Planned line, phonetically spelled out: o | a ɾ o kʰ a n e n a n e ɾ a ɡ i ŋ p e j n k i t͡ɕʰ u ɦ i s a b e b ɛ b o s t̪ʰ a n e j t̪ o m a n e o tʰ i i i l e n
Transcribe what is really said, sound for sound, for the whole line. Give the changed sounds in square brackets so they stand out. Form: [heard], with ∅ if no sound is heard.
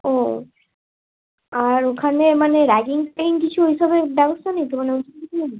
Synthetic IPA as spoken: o | a ɾ o kʰ a n e [m] a n e ɾ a ɡ i ŋ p e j n k i t͡ɕʰ u ɦ i [ʃ] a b e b ɛ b o s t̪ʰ a n e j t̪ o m a n e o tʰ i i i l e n